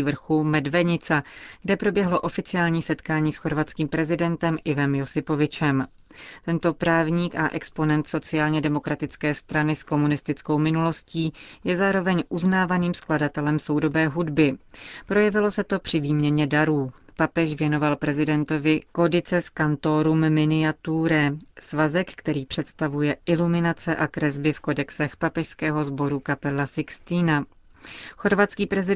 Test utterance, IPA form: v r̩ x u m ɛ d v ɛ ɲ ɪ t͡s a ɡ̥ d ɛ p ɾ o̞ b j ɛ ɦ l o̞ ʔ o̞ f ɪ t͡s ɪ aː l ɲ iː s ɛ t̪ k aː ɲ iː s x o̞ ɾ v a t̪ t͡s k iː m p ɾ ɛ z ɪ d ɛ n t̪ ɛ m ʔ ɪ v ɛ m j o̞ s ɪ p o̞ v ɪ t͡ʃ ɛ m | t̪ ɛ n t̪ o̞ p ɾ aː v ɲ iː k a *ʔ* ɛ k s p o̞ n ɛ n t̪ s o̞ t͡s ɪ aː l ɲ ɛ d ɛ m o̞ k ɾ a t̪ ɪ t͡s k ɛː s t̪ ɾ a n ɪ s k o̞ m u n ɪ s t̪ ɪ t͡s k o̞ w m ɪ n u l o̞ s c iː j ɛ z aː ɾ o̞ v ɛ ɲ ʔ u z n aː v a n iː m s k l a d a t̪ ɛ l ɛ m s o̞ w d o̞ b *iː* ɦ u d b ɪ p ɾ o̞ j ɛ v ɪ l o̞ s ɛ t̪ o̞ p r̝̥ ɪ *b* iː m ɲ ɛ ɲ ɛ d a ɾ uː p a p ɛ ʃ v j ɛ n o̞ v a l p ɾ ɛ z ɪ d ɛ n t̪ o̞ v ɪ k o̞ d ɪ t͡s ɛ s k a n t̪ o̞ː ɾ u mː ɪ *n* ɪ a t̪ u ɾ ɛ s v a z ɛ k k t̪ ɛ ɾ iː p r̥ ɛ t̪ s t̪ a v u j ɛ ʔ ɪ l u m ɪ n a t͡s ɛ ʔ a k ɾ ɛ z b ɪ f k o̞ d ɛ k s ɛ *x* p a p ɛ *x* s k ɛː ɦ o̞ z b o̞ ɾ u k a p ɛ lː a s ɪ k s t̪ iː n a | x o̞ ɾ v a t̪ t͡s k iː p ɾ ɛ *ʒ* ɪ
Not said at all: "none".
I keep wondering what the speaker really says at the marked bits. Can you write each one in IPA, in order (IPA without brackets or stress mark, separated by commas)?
ʔ, ɛː, v, n, x, ʃ, z